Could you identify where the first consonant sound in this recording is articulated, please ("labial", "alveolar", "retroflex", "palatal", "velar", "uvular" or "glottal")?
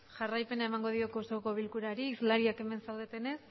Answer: palatal